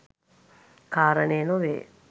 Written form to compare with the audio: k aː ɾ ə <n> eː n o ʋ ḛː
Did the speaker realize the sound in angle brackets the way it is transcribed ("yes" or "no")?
yes